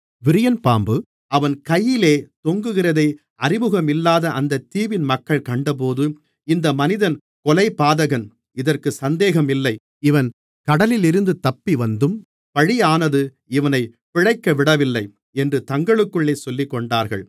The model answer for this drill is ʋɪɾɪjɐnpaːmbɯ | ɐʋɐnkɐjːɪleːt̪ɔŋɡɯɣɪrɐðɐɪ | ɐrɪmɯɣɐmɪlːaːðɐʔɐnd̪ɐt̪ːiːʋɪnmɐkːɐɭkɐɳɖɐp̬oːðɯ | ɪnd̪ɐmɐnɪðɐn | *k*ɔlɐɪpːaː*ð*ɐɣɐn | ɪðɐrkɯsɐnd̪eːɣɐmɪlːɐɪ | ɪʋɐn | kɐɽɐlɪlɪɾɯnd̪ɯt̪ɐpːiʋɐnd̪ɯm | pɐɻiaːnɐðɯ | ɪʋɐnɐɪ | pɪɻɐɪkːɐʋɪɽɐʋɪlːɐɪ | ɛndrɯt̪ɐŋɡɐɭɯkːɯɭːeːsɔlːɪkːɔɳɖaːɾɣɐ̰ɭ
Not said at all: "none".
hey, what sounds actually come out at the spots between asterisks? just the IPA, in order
k, ð

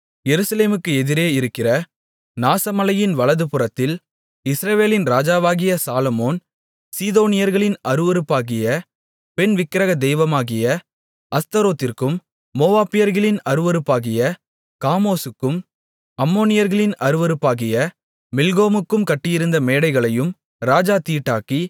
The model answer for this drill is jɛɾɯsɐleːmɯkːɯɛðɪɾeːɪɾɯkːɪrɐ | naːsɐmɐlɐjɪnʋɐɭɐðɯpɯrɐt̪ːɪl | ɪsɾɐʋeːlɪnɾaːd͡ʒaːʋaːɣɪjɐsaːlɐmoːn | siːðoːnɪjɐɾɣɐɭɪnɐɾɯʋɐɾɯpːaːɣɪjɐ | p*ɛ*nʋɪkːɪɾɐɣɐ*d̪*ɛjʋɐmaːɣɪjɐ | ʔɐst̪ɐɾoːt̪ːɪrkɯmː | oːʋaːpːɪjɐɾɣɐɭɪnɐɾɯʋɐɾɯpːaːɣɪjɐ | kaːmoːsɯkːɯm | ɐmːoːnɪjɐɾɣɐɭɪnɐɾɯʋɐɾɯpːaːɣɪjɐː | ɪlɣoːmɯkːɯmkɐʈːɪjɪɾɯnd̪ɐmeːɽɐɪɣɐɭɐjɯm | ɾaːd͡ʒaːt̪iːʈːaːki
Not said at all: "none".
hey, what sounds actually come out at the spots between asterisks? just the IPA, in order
ɛ, d̪

